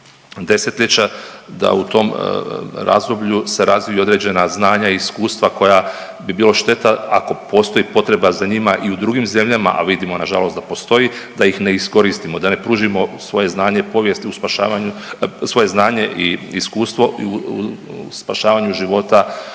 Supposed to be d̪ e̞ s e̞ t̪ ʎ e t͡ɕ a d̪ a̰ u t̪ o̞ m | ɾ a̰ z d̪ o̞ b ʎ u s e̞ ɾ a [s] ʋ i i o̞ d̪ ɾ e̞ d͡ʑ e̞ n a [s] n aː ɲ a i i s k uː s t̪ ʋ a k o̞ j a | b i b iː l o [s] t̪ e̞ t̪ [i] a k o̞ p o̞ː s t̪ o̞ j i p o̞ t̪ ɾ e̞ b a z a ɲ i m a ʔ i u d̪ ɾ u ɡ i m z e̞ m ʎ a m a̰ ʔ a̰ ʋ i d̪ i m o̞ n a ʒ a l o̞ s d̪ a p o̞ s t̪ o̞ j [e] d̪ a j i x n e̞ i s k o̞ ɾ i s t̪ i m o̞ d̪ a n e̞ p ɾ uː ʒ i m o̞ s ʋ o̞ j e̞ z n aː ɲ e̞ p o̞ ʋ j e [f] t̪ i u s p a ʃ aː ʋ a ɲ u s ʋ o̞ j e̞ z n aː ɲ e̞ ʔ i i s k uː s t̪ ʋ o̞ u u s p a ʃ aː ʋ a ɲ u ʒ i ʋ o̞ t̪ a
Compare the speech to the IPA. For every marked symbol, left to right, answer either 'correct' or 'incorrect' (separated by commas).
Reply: incorrect, incorrect, incorrect, incorrect, incorrect, incorrect